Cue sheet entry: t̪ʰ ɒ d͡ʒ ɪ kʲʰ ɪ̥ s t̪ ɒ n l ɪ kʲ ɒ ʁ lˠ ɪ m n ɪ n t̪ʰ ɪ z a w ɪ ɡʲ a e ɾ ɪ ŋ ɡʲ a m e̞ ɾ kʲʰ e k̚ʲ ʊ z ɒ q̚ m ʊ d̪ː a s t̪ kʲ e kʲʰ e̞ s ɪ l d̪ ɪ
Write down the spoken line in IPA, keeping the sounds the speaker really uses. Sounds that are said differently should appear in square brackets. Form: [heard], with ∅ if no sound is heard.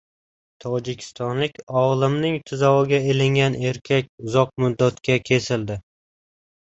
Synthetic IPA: t̪ʰ ɒ d͡ʒ ɪ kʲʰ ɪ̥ s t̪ ɒ n l ɪ kʲ ɒ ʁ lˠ ɪ m n ɪ [ŋ] t̪ʰ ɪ z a w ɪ ɡʲ a e [l] ɪ ŋ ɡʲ a [n] e̞ ɾ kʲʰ [a] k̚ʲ ʊ z ɒ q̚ m ʊ d̪ː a [∅] t̪ kʲ [a] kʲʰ e̞ s ɪ l d̪ ɪ